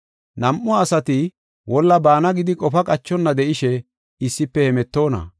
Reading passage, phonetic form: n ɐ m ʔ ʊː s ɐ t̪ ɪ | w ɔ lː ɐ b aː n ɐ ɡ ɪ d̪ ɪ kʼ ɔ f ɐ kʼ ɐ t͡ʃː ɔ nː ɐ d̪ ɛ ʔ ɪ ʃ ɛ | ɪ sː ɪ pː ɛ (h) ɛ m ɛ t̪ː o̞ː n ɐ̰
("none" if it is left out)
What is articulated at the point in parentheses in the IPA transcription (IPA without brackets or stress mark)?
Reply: h